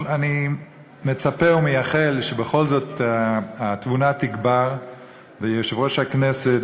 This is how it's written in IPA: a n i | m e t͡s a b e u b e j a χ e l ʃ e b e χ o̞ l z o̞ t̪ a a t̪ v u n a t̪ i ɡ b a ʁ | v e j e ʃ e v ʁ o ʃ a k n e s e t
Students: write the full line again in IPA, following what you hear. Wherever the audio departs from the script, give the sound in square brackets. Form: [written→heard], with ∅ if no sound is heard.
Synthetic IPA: a n i | m e t͡s a [b→p] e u [b→m] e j a χ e l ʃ e b e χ o̞ l z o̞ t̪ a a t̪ v u n a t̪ i ɡ b a ʁ | v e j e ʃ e v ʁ o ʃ a k n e s e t